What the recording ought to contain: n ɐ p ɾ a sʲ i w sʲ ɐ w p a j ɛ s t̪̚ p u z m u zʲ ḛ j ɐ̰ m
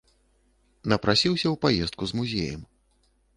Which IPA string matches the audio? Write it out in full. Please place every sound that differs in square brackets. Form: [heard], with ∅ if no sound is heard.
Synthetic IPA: n ɐ p ɾ a sʲ i w sʲ ɐ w p a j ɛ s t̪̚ [k] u z m u zʲ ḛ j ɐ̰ m

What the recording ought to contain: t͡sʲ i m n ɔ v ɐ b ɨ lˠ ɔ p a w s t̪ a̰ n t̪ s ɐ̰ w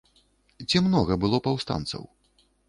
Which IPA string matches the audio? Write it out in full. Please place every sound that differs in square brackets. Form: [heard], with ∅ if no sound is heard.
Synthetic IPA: t͡sʲ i m n ɔ [ɣ] ɐ b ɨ lˠ ɔ p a w s t̪ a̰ n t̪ s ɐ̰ w

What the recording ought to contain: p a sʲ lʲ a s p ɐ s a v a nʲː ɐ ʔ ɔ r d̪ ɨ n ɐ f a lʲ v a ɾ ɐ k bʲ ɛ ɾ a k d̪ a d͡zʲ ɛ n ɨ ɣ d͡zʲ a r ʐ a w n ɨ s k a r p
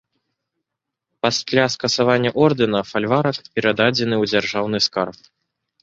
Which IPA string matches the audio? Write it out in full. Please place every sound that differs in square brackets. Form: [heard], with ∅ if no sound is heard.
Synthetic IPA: p a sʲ lʲ a s [k] ɐ s a v a nʲː ɐ ʔ ɔ r d̪ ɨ n ɐ f a lʲ v a ɾ ɐ k [pʲ] ɛ ɾ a [∅] d̪ a d͡zʲ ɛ n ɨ [w] d͡zʲ a r ʐ a w n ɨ s k a r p

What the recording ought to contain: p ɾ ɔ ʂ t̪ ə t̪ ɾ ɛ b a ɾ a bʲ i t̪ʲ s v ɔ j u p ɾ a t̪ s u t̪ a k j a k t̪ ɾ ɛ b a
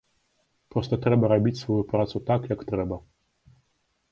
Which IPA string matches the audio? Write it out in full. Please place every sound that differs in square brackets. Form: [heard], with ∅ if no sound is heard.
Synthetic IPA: p ɾ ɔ [s] t̪ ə t̪ ɾ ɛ b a ɾ a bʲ i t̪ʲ s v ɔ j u p ɾ a t̪ s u t̪ a k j a k t̪ ɾ ɛ b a

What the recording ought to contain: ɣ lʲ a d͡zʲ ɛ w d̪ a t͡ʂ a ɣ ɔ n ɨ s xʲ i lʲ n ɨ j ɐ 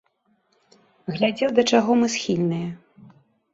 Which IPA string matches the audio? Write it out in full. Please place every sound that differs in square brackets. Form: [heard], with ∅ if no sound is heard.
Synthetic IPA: ɣ lʲ a d͡zʲ ɛ w d̪ [ɐ] t͡ʂ a ɣ ɔ [m] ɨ s xʲ i lʲ n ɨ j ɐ

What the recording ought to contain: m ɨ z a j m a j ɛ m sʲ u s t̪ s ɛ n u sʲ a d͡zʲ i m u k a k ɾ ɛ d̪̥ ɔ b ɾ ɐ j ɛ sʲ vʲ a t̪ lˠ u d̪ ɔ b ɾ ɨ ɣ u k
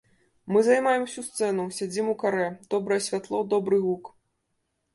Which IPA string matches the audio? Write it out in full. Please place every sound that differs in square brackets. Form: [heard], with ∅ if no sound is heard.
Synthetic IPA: m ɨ z a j m a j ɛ m sʲ u s t̪ s ɛ n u sʲ a d͡zʲ i m u k a [∅] ɾ ɛ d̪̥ ɔ b ɾ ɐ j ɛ sʲ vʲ a t̪ lˠ [ɔ] d̪ ɔ b ɾ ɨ ɣ u k

